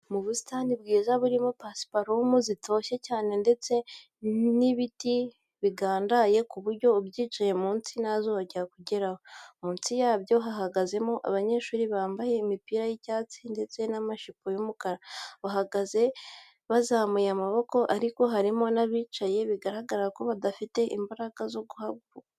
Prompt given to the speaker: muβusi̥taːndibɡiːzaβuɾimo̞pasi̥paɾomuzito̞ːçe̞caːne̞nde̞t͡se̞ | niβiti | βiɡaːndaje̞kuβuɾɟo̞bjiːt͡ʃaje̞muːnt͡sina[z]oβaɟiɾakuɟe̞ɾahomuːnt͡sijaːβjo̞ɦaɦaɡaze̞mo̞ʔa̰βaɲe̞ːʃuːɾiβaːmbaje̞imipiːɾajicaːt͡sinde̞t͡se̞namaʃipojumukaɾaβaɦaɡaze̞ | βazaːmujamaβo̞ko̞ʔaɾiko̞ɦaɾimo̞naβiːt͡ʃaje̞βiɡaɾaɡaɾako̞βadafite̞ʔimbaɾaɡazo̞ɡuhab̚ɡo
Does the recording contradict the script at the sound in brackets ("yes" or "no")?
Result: no